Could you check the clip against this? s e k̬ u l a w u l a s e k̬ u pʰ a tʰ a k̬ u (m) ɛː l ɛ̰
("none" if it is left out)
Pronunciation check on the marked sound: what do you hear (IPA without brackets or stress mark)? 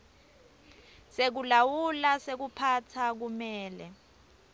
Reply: m